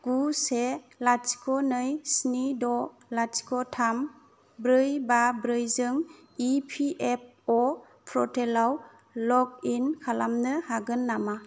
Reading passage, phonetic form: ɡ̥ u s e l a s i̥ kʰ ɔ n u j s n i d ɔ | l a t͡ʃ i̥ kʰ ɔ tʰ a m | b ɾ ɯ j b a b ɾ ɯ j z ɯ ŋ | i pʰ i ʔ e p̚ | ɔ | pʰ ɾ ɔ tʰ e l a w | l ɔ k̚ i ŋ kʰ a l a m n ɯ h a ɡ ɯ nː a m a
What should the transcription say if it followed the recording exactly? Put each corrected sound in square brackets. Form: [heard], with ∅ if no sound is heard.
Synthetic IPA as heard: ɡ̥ u s e l a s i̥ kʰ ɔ n [ɯ] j s n i d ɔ | l a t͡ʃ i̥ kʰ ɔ tʰ a m | b ɾ ɯ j b a b ɾ ɯ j z ɯ ŋ | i pʰ i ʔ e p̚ | ɔ | pʰ ɾ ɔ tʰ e l a w | l ɔ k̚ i [n] kʰ a l a m n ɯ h a ɡ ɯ nː a m a